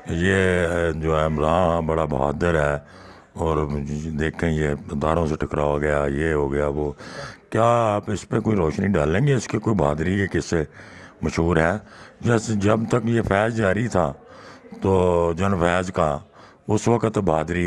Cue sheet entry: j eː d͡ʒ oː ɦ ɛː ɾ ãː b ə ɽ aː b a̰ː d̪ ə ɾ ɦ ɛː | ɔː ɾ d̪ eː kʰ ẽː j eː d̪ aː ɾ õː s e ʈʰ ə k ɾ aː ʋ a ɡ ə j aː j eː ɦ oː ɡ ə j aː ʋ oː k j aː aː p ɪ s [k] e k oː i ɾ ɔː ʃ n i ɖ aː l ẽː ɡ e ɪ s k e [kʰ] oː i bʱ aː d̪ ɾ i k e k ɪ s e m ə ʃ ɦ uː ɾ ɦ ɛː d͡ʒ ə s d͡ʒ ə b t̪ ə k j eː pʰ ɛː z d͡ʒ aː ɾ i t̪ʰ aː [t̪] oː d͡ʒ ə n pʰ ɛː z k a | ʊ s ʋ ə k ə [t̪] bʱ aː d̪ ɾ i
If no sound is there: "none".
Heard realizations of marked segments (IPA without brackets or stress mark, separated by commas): p, k, t̪, t̪